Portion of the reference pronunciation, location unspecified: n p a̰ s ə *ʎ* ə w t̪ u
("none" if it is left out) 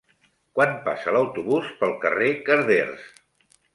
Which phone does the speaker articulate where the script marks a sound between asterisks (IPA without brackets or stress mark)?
l